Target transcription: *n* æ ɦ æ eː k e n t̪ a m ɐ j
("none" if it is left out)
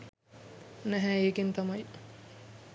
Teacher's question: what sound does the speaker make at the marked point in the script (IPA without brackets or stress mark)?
n